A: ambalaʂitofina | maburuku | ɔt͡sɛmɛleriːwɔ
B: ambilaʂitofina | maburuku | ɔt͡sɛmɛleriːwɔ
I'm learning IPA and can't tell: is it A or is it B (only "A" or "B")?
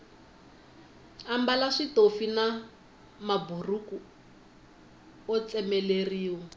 A